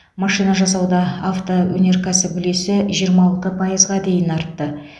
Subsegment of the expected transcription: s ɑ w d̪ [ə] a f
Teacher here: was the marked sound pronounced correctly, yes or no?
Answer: no